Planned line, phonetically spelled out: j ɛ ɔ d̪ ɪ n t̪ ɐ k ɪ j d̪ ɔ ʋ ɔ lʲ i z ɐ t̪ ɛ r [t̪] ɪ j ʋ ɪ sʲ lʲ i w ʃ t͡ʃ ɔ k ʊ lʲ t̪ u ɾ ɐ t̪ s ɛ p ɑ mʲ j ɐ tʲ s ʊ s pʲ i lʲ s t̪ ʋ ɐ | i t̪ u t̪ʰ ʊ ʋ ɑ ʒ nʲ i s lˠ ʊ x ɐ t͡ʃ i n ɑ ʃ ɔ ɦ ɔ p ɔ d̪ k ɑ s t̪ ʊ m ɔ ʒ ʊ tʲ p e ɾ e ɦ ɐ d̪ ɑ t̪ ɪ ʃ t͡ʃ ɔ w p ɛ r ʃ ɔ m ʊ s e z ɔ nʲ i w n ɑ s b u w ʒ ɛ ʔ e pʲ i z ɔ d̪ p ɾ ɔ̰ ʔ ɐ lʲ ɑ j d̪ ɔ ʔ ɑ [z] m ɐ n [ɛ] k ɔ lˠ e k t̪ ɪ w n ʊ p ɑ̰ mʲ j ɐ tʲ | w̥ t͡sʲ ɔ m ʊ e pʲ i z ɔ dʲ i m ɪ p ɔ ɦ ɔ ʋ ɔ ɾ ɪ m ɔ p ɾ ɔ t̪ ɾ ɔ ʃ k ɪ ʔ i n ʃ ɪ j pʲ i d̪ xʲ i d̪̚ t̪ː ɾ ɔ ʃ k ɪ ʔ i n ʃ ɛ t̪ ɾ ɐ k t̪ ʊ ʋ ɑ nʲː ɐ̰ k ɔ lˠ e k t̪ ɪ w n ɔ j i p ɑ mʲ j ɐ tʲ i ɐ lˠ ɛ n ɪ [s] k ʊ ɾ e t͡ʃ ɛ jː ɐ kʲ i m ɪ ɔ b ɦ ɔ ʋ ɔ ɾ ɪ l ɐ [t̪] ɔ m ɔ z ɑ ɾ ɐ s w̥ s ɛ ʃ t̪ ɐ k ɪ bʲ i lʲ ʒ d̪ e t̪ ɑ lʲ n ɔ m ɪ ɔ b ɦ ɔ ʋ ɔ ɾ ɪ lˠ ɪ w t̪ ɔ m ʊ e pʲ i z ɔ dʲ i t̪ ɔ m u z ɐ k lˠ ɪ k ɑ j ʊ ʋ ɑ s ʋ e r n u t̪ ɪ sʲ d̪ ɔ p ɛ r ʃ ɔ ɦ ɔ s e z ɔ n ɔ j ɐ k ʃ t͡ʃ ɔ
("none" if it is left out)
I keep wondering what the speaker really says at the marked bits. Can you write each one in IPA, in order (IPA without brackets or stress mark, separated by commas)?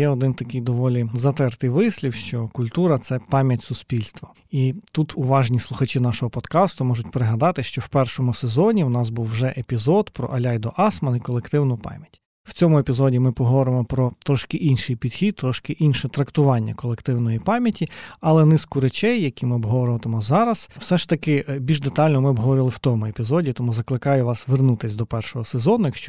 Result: t̪, s, i, s, t̪